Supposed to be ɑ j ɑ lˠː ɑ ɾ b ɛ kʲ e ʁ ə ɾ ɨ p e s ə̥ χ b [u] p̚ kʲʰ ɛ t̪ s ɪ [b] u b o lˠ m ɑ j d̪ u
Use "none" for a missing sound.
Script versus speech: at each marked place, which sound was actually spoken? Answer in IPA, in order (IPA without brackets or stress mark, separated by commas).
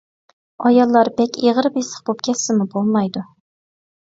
o, m